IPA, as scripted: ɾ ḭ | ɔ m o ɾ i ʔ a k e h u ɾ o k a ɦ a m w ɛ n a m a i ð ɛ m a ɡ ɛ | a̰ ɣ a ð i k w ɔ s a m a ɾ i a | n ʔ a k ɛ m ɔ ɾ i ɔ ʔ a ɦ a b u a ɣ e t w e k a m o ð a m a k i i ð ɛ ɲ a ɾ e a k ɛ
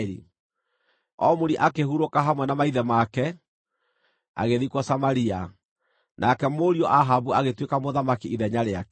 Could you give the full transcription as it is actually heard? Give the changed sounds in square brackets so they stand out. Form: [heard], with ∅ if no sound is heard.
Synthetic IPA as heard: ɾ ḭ | ɔ m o ɾ i ʔ a k e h u ɾ o k a ɦ a m w ɛ n a m a i ð ɛ m a [k] ɛ | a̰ ɣ [e] ð i k w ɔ s a m a ɾ i a | n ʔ a k ɛ m [o] ɾ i ɔ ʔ a ɦ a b u a ɣ e t w e k a m o ð a m a k i i ð ɛ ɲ a ɾ e a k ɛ